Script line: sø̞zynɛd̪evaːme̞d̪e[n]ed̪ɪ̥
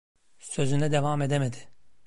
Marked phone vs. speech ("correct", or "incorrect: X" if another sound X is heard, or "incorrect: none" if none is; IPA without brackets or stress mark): incorrect: m